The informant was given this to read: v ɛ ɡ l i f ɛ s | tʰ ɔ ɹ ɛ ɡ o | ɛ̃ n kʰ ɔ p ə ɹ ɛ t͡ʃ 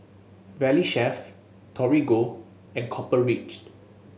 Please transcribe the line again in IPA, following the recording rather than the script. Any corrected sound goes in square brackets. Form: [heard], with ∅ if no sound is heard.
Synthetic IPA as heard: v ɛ [∅] l i [ʃ] ɛ [f] | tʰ ɔ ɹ [i] ɡ o | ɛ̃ n kʰ ɔ p ə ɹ [i] t͡ʃ